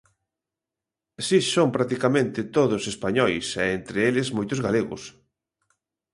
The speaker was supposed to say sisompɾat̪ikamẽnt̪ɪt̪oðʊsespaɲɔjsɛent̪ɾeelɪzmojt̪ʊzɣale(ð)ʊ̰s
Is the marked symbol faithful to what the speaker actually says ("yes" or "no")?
no